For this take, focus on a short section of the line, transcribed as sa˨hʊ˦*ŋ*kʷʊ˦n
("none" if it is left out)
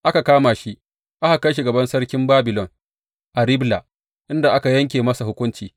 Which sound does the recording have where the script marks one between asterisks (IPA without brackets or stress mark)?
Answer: none